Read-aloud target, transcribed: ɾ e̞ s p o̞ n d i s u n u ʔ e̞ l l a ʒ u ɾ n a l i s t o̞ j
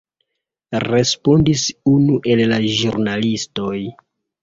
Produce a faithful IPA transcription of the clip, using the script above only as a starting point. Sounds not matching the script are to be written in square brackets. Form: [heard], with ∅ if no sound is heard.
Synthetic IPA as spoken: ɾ e̞ s p o̞ n d i s u n u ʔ e̞ l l a ʒ u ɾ n a l i s t o̞ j